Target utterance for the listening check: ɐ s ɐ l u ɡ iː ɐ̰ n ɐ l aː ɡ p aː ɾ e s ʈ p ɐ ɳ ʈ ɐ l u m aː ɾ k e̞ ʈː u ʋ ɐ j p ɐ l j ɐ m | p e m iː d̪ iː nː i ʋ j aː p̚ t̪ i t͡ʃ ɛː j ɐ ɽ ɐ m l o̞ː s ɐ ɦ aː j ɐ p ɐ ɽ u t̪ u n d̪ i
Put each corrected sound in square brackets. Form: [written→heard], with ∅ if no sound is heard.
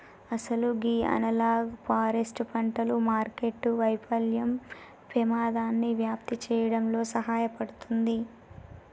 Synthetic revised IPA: ɐ s ɐ l u ɡ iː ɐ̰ n ɐ l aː ɡ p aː ɾ e s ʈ p ɐ ɳ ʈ ɐ l u m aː ɾ k e̞ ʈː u ʋ ɐ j p ɐ l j ɐ m | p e m [iː→aː] d̪ [iː→aː] nː i ʋ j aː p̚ t̪ i t͡ʃ ɛː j ɐ ɽ ɐ m l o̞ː s ɐ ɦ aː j ɐ p ɐ ɽ u t̪ u n d̪ i